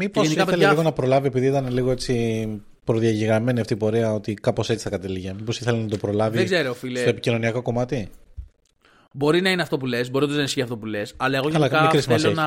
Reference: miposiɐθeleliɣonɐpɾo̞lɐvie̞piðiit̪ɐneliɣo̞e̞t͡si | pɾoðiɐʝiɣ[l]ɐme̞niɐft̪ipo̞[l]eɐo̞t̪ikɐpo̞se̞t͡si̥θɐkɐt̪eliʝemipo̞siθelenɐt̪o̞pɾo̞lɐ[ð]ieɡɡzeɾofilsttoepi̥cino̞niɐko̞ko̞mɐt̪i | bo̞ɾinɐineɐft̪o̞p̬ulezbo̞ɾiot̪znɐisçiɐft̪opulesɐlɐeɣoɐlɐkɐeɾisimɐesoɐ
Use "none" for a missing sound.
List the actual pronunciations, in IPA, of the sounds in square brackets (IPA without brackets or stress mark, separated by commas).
ɾ, ɾ, v